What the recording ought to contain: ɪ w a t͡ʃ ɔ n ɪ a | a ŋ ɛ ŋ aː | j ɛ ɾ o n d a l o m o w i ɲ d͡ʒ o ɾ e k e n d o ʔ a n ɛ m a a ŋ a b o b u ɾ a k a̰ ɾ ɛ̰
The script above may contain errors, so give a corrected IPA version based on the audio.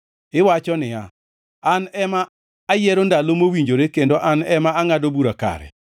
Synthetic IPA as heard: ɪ w a t͡ʃ ɔ n ɪ a | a n ɛ m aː | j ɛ ɾ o n d a l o m o w i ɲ d͡ʒ o ɾ e k e n d o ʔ a n ɛ m a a ŋ a d o b u ɾ a k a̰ ɾ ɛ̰